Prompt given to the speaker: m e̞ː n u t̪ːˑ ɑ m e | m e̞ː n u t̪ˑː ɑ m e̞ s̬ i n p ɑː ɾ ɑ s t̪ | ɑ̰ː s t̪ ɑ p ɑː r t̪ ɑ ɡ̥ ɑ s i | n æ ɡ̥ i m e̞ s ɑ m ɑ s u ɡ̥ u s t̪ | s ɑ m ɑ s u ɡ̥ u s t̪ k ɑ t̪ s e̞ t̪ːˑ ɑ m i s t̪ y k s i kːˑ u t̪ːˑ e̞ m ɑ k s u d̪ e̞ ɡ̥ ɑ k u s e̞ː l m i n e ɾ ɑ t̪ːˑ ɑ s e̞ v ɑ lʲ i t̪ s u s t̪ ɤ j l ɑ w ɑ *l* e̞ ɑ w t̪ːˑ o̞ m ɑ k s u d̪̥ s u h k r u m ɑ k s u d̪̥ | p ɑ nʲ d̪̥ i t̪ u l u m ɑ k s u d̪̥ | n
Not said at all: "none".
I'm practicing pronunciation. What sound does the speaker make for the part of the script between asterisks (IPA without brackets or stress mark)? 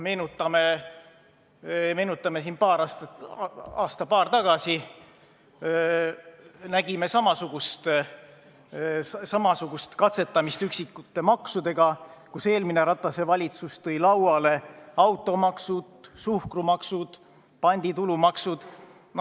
l